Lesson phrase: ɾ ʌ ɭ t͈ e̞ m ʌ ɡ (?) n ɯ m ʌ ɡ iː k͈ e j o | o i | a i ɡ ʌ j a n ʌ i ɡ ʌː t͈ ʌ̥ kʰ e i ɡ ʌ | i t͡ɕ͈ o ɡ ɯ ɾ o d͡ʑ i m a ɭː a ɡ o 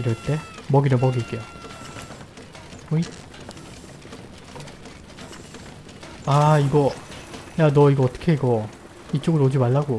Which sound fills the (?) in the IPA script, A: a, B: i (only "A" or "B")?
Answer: B